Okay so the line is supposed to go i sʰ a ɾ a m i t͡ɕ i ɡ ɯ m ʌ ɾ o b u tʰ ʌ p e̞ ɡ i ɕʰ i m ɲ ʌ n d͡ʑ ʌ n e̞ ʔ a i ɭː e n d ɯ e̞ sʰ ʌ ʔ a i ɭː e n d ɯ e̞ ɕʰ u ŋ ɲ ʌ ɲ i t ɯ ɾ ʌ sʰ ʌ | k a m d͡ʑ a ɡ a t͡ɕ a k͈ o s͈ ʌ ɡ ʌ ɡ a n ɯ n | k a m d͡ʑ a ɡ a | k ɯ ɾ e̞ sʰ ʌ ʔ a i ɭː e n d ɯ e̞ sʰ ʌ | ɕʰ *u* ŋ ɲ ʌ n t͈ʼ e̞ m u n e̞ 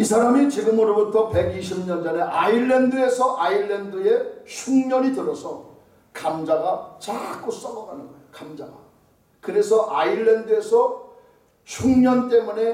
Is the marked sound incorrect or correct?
correct